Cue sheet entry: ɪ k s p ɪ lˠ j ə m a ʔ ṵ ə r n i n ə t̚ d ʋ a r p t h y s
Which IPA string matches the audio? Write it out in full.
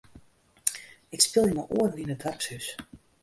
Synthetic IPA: ɪ k s p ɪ lˠ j ə m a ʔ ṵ ə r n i n ə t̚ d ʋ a r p s h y s